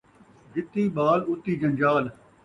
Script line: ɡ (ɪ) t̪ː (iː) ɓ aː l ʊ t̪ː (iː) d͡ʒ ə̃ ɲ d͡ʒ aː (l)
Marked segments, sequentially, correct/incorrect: correct, correct, correct, correct

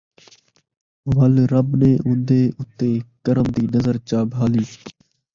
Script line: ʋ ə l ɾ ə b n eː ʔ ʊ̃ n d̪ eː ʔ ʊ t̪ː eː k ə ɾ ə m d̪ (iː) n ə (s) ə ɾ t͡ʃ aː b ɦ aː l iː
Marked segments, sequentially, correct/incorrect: correct, incorrect: z

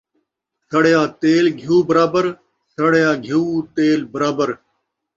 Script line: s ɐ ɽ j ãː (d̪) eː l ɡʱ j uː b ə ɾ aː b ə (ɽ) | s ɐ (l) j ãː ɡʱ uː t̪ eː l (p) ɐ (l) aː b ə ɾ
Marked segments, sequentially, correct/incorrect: incorrect: t̪, incorrect: ɾ, incorrect: ɽ, incorrect: b, incorrect: ɾ

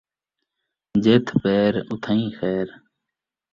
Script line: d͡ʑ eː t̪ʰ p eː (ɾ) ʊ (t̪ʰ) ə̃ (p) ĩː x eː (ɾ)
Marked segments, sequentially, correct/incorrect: correct, correct, incorrect: none, correct

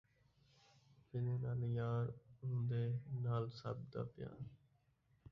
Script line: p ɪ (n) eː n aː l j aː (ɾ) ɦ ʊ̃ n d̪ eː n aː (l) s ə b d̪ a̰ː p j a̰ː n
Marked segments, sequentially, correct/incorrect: correct, correct, correct

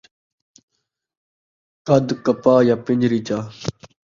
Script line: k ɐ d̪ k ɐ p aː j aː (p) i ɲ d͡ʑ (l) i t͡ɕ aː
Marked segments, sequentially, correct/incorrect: correct, incorrect: ɾ

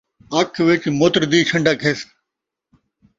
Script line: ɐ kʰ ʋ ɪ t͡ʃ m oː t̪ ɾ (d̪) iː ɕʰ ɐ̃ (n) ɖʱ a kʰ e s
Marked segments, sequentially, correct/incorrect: correct, incorrect: ɳ

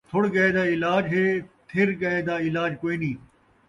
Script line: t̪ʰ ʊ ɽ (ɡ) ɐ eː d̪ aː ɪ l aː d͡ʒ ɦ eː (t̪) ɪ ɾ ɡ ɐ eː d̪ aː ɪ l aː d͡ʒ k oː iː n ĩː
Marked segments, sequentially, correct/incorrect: correct, incorrect: t̪ʰ

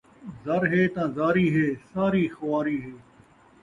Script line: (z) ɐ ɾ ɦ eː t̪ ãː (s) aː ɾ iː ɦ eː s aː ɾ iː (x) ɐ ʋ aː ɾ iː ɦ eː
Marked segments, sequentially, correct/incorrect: correct, incorrect: z, correct

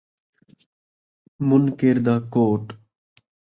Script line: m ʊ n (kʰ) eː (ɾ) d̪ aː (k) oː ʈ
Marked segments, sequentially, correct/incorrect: incorrect: k, correct, correct

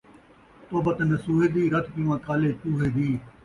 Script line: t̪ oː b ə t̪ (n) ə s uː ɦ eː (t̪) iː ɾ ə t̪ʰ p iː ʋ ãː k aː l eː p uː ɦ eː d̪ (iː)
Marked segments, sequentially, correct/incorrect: correct, incorrect: d̪, correct

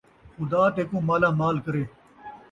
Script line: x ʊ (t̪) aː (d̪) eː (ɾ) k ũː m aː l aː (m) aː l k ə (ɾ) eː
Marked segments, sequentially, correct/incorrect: incorrect: d̪, incorrect: t̪, incorrect: none, correct, correct

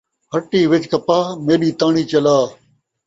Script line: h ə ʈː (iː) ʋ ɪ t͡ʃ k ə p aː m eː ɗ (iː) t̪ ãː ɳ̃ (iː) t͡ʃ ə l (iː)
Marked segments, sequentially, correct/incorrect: correct, correct, correct, incorrect: aː

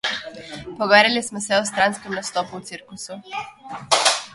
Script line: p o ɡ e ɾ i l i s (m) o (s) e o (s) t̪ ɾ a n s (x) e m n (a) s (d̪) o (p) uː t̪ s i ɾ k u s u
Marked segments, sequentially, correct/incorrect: correct, correct, correct, incorrect: k, correct, incorrect: t̪, correct

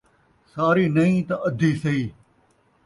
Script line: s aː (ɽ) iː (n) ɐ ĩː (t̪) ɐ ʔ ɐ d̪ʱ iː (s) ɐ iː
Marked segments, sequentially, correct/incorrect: incorrect: ɾ, correct, correct, correct

